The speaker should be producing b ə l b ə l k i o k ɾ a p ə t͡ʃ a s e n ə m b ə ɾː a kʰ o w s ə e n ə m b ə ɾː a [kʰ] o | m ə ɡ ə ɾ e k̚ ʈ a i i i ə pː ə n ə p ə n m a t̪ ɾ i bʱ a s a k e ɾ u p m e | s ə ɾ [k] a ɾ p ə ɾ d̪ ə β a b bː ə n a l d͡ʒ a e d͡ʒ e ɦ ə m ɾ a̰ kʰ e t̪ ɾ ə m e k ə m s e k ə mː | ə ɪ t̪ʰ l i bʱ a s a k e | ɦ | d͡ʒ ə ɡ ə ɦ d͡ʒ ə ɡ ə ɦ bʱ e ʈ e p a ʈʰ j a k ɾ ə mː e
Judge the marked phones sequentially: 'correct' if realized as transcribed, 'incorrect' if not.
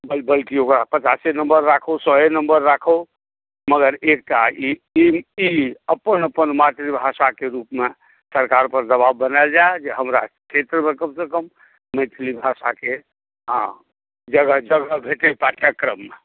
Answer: correct, correct

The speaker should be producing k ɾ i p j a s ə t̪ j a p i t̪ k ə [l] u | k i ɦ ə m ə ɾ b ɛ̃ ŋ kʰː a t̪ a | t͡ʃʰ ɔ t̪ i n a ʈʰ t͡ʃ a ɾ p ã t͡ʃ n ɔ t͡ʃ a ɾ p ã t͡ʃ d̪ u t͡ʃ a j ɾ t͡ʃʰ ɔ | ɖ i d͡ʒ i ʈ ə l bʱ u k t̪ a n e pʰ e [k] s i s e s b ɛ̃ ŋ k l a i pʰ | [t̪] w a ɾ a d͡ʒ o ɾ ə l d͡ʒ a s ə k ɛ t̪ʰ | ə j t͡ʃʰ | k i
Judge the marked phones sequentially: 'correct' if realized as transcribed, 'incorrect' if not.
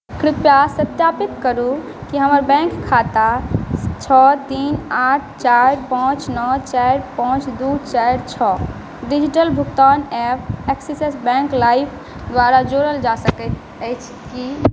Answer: incorrect: ɾ, correct, incorrect: d̪

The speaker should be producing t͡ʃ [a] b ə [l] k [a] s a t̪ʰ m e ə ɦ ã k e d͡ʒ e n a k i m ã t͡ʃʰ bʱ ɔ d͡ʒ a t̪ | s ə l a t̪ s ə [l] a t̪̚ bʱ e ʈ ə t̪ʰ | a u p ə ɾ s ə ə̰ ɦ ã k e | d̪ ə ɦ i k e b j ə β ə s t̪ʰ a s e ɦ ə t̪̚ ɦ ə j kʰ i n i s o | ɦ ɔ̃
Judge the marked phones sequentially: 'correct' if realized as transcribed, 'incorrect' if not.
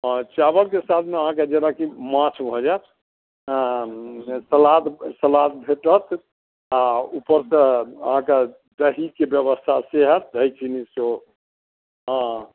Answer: correct, correct, incorrect: e, correct

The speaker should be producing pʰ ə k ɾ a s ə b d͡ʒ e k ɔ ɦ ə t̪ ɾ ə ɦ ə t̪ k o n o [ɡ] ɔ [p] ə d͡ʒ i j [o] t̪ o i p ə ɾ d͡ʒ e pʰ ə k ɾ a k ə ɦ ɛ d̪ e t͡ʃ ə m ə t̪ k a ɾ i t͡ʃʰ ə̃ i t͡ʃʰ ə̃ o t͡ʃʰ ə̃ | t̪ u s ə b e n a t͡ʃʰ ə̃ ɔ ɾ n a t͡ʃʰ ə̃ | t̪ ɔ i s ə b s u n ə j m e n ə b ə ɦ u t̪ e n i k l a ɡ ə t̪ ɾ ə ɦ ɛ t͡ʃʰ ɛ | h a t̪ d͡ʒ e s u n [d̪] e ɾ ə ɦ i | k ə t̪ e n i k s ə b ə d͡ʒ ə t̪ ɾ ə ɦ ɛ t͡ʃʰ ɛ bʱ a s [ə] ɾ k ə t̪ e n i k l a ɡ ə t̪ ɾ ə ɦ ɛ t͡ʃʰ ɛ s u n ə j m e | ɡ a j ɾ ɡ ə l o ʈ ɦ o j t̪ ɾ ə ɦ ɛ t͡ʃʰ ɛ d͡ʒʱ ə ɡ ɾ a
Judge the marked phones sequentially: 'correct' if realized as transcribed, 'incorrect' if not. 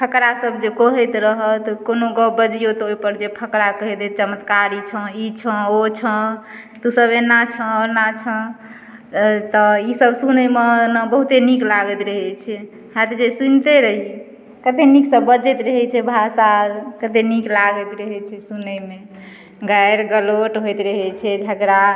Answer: correct, incorrect: b, correct, incorrect: t̪, incorrect: a

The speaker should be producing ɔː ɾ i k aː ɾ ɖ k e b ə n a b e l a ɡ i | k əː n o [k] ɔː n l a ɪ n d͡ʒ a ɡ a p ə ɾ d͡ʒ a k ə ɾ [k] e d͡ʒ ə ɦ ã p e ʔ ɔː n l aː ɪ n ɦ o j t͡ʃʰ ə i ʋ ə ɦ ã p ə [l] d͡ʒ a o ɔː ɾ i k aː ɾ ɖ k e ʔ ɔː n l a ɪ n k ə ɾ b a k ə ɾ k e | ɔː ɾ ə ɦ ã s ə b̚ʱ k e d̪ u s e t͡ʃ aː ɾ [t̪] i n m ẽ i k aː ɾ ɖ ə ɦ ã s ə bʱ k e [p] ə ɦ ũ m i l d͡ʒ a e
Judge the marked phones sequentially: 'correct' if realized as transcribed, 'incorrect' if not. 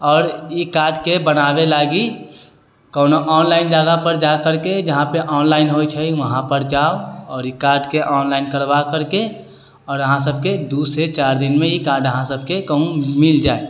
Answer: incorrect: ʔ, correct, incorrect: ɾ, incorrect: d̪, incorrect: k

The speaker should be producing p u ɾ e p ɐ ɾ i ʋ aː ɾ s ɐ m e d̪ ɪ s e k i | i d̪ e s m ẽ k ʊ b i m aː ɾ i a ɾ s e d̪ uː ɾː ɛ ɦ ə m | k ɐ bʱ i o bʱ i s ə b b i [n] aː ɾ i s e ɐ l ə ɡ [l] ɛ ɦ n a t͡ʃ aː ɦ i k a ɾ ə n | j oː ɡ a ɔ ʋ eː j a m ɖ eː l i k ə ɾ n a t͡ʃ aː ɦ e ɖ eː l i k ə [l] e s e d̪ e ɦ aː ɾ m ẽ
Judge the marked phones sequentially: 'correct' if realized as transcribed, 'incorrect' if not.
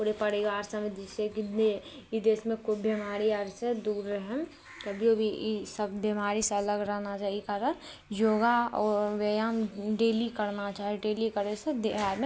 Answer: incorrect: m, incorrect: ɾ, incorrect: ɾ

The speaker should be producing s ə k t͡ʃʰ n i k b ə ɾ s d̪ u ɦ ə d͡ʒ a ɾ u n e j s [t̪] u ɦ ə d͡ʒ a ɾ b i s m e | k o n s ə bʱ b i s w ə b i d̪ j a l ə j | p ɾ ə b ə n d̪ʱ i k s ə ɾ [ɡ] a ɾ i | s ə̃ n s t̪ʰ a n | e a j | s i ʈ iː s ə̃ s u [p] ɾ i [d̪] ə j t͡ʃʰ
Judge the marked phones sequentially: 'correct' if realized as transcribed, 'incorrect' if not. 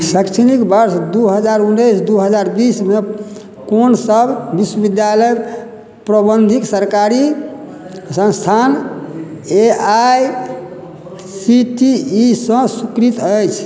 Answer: incorrect: d̪, incorrect: k, incorrect: k, incorrect: t̪

